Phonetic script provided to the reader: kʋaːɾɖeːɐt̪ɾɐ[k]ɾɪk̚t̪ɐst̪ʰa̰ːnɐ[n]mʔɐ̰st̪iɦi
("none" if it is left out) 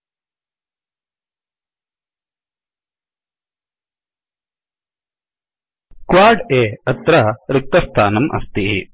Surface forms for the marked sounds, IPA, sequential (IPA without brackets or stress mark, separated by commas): none, none